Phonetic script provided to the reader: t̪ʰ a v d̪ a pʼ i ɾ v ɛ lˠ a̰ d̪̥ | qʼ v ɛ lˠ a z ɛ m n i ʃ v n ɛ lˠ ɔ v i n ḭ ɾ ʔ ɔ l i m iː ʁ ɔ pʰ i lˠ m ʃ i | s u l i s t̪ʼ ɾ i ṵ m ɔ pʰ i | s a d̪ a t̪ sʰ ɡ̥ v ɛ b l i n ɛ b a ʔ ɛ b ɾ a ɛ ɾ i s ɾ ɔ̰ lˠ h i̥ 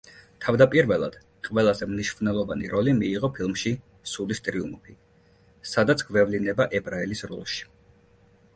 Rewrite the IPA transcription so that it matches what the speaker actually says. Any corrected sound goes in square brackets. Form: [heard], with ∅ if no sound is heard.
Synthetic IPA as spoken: t̪ʰ a v d̪ a pʼ i ɾ v ɛ lˠ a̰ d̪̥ | qʼ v ɛ lˠ a z ɛ m n i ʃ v n ɛ lˠ ɔ v [a] n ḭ ɾ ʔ ɔ l i m iː ʁ ɔ pʰ i lˠ m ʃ i | s u l i s t̪ʼ ɾ i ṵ m ɔ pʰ i | s a d̪ a t̪ sʰ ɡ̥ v ɛ [v] l i n ɛ b a ʔ ɛ b ɾ a ɛ [l] i s ɾ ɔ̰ lˠ [ʃ] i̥